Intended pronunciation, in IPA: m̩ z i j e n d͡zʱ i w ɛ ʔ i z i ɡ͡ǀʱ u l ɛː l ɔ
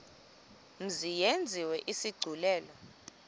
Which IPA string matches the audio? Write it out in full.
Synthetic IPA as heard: m̩ z i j e n d͡zʱ i w ɛ ʔ i s i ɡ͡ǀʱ u l ɛː l ɔ